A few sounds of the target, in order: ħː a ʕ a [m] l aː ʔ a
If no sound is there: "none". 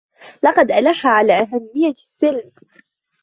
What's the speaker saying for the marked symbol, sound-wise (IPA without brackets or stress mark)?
none